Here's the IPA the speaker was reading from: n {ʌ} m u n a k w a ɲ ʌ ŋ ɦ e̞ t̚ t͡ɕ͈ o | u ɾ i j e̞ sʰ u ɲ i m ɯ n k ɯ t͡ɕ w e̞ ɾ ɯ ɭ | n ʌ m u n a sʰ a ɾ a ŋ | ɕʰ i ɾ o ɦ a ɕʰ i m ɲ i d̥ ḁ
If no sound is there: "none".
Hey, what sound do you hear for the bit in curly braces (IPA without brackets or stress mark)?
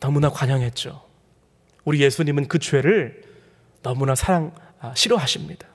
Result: ʌ